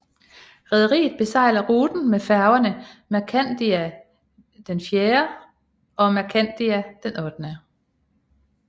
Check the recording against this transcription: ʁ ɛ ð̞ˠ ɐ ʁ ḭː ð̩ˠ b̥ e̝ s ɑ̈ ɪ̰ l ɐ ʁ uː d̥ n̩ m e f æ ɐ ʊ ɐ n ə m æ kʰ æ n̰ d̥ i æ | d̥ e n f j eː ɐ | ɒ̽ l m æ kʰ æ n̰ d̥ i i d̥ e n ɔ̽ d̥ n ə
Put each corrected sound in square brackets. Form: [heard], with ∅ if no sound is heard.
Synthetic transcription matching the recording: ʁ ɛ ð̞ˠ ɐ ʁ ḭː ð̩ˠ b̥ e̝ s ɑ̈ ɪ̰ l ɐ ʁ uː d̥ n̩ m e f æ ɐ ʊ ɐ n ə m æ kʰ æ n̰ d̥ i æ | d̥ e n f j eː ɐ | ɒ̽ [∅] m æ kʰ æ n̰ d̥ i [æ] d̥ e n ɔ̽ d̥ n ə